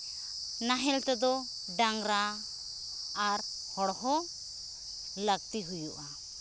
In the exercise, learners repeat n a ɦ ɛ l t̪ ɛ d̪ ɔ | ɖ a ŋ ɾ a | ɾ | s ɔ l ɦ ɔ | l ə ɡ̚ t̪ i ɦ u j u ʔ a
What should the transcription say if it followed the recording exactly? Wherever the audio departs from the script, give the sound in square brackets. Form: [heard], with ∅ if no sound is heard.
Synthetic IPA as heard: n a ɦ ɛ l t̪ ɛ d̪ ɔ | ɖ a ŋ ɾ a | ɾ | [h] ɔ [ɽ] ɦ ɔ | l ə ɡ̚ t̪ i ɦ u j u ʔ a